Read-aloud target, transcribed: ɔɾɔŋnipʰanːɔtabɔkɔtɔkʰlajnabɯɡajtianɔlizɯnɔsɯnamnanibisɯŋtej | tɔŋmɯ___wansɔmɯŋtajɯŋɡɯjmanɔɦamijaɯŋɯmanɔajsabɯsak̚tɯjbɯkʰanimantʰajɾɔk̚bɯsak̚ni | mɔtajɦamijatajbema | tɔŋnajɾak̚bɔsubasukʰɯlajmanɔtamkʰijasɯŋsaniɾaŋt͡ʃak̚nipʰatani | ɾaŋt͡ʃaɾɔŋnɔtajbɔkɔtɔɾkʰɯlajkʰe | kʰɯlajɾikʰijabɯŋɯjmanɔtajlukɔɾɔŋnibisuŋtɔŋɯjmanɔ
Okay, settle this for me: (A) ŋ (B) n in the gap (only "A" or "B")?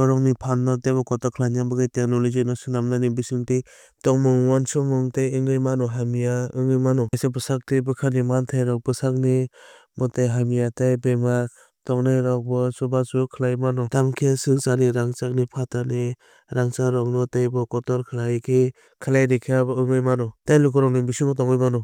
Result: A